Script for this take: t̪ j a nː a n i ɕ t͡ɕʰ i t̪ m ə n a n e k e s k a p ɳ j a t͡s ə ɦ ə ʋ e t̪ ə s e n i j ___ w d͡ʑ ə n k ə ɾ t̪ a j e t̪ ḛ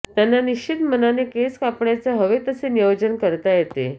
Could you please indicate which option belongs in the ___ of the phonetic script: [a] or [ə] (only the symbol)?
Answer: ə